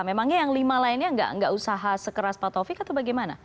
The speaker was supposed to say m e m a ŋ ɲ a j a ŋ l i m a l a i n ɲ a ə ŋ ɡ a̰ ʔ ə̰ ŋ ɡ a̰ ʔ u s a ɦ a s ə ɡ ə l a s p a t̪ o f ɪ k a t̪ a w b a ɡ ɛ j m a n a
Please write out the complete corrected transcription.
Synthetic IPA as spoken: m e m a ŋ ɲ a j a ŋ l i m a l a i n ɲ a ə ŋ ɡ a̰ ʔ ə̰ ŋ ɡ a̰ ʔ u s a ɦ a s ə k ə ɾ a s p a t̪ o f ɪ k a t̪ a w b a ɡ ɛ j m a n a

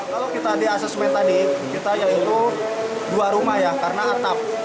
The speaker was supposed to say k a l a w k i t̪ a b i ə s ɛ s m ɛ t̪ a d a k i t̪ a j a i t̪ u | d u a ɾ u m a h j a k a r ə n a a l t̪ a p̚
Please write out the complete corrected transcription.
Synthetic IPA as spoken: k a l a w k i t̪ a d i a s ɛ s m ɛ t̪ a d i k i t̪ a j a i t̪ u | d u a ɾ u m a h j a k a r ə n a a r t̪ a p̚

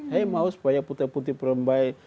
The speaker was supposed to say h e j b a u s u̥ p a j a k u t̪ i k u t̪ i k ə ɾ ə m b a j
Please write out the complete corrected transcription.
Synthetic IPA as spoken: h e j m a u s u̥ p a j a p u t̪ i p u t̪ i p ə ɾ ə m b a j

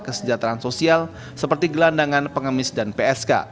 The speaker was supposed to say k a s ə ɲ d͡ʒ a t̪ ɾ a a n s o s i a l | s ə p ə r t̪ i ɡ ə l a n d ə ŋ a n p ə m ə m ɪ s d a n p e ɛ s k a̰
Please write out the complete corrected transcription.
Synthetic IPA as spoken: k ə s ə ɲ d͡ʒ a t̪ ɾ a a n s o s i a l | s ə p ə r t̪ i ɡ ə l a n d a ŋ a n p ə ŋ ə m ɪ s d a n p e ɛ s k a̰

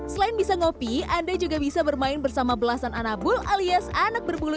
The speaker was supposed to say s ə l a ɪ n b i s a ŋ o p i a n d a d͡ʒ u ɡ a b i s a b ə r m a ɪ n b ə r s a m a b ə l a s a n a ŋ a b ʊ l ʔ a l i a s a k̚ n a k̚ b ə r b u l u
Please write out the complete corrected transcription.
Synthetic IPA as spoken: s ə l a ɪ n b i s a ŋ o p i a n d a d͡ʒ u ɡ a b i s a b ə r m a ɪ n b ə r s a m a b ə l a s a n a n a b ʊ l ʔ a l i a s a n a k̚ b ə r b u l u

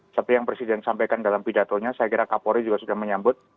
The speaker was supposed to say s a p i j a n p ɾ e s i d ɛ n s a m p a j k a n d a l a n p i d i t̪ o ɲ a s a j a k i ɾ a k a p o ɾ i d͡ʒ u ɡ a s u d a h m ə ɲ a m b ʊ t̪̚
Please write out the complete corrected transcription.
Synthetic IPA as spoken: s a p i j a ŋ p ɾ e s i d ɛ n s a m p a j k a n d a l a m p i d a t̪ o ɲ a s a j a k i ɾ a k a p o ɾ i d͡ʒ u ɡ a s u d a h m ə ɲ a m b ʊ t̪̚

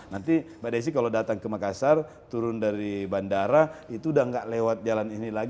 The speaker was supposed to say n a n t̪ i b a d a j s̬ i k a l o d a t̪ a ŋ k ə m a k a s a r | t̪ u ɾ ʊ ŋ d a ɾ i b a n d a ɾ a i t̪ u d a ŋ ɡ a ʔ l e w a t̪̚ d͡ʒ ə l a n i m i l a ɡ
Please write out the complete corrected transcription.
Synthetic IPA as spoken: n a n t̪ i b a d a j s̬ i k a l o d a t̪ a ŋ k ə m a k a s a r | t̪ u ɾ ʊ n d a ɾ i b a n d a ɾ a i t̪ u d a ŋ ɡ a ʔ l e w a t̪̚ d͡ʒ a l a n i n i l a ɡ

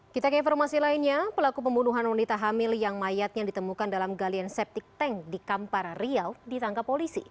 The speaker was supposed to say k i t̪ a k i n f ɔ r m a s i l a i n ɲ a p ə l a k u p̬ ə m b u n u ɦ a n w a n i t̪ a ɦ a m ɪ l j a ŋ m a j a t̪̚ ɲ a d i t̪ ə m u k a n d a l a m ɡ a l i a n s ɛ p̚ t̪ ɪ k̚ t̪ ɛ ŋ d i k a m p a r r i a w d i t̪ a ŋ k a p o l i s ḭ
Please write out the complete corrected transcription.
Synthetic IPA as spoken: k i t̪ a k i n f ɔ r m a s i l a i n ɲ a p ə l a k u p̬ ə m b u n u ɦ a n w a n i t̪ a ɦ a m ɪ l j a ŋ m a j a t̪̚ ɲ a d i t̪ ə m u k a n d a l a m ɡ a l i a n s ɛ p̚ t̪ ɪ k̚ t̪ ɛ ŋ d i k a m p a r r i a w d i t̪ a ŋ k a p o l i s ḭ

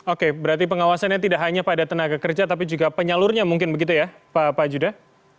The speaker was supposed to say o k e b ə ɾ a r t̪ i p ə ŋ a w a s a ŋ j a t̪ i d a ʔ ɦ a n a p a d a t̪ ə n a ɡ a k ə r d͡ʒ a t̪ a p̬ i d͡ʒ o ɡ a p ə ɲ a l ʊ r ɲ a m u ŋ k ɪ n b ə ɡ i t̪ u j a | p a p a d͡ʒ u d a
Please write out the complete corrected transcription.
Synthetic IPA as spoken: o k e b ə ɾ a r t̪ i p ə ŋ a w a s a n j a t̪ i d a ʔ ɦ a ɲ a p a d a t̪ ə n a ɡ a k ə r d͡ʒ a t̪ a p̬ i d͡ʒ u ɡ a p ə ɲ a l ʊ r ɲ a m u ŋ k ɪ n b ə ɡ i t̪ u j a | p a p a d͡ʒ u d a

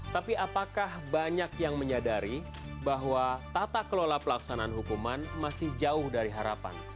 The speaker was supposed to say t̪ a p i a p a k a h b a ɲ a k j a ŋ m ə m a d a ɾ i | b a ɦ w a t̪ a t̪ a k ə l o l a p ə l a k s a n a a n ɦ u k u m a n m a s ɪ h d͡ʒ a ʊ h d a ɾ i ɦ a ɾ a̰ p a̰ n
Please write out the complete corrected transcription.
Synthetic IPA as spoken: t̪ a p i a p a k a h b a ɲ a k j a ŋ m ə ɲ a d a ɾ i | b a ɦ w a t̪ a t̪ a k ə l o l a p ə l a k s a n a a n ɦ u k u m a n m a s ɪ h d͡ʒ a ʊ h d a ɾ i ɦ a ɾ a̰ p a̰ n

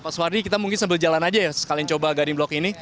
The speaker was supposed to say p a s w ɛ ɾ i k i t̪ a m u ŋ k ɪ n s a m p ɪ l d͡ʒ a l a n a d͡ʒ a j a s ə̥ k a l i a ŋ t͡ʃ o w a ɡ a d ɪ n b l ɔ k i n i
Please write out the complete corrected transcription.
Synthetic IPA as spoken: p a s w a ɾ i k i t̪ a m u ŋ k ɪ n s a m b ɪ l d͡ʒ a l a n a d͡ʒ a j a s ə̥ k a l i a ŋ t͡ʃ o b a ɡ a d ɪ ŋ b l ɔ k i n i

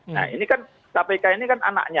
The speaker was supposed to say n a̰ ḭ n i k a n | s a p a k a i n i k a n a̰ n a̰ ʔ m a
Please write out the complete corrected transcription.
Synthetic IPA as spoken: n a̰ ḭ n i k a n | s a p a k a i n i k a n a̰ n a̰ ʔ ɲ a

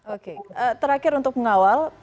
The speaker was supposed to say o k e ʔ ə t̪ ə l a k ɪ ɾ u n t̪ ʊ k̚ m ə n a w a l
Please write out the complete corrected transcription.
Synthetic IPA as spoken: o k e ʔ ə t̪ ə ɾ a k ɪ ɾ u n t̪ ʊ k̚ m ə ŋ a w a l

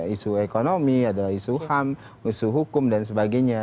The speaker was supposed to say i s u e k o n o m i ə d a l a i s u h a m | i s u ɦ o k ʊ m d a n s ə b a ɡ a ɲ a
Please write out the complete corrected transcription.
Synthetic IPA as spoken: i s u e k o n o m i a d a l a i s u h a m | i s u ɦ u k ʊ m d a n s ə b a ɡ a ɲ a

